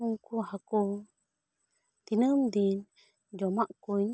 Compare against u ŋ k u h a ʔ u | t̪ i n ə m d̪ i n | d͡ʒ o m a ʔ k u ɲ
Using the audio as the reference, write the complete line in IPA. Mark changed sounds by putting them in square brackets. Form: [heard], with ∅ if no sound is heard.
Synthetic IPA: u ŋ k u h a [k] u | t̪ i n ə m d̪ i n | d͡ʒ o m a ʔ k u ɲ